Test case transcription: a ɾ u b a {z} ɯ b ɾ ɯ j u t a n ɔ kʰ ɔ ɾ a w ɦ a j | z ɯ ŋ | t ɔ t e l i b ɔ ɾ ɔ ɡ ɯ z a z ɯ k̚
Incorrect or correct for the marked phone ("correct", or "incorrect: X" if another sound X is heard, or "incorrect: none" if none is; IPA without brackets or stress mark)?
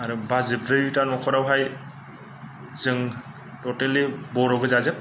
correct